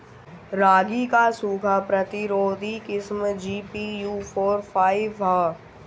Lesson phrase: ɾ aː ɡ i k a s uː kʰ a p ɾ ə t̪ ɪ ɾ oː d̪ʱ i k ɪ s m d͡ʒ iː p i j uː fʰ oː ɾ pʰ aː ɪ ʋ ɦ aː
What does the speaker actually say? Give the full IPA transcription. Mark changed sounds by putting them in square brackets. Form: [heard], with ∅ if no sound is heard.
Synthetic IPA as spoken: ɾ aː ɡ i k a s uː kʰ a p ɾ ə t̪ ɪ ɾ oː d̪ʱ i k ɪ s m d͡ʒ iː p i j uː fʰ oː ɾ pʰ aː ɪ ʋ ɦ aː